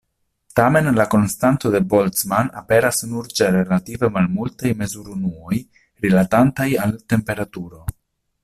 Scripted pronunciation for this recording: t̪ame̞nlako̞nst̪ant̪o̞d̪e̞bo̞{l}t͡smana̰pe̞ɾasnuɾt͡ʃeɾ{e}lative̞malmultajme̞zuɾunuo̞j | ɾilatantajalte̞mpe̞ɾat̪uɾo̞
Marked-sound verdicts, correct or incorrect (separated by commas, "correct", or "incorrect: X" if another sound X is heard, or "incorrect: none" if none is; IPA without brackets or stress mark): correct, correct